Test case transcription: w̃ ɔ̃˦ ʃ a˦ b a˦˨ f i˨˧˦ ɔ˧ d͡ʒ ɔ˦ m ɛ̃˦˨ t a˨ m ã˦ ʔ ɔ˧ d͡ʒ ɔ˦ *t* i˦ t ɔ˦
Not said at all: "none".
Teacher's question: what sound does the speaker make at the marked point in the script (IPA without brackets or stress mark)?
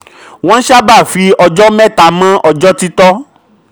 t